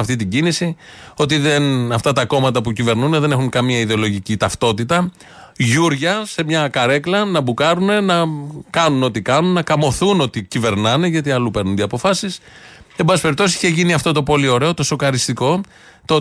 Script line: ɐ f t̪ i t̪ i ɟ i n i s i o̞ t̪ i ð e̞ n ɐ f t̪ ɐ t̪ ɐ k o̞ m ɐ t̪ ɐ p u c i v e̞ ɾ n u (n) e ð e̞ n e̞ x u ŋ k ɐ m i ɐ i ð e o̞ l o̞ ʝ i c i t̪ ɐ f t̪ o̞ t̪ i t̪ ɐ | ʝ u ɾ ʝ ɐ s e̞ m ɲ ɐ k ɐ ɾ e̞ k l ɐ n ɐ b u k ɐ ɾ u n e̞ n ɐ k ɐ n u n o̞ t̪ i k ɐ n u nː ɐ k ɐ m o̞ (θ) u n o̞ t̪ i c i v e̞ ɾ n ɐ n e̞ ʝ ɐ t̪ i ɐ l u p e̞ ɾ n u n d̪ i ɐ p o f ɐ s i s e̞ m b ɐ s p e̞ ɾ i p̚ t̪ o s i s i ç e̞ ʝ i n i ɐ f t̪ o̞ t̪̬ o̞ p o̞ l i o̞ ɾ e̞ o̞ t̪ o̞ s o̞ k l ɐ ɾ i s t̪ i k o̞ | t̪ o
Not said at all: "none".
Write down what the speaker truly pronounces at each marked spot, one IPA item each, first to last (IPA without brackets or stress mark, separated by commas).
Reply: n, θ